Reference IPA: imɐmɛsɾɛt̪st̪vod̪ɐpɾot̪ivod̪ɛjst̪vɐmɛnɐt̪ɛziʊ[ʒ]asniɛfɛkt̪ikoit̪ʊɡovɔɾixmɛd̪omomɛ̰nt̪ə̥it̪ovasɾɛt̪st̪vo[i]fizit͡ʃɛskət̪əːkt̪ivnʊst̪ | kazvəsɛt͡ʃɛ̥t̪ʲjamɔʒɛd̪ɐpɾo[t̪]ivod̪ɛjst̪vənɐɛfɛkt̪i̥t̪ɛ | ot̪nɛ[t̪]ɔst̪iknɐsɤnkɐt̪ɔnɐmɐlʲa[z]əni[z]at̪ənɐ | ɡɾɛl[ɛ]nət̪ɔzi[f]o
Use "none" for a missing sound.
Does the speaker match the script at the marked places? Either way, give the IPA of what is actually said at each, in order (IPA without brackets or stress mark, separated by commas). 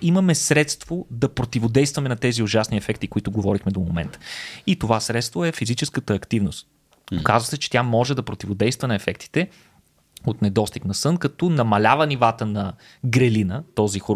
ʒ, ɛ, t̪, d̪, v, v, i, x